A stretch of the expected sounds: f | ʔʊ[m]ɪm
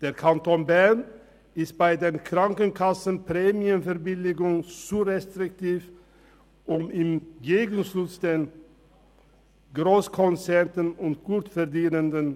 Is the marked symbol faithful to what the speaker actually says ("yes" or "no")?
yes